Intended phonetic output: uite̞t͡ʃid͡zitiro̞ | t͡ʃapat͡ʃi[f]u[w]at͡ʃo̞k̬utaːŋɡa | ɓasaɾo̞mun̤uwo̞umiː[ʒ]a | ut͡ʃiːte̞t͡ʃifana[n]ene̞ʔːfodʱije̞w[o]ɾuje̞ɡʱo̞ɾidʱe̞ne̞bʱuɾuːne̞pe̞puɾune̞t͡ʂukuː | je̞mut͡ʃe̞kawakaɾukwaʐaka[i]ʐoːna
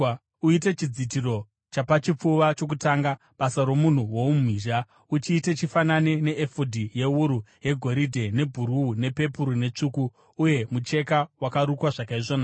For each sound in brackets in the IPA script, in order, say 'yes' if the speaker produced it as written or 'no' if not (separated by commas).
no, no, yes, yes, no, yes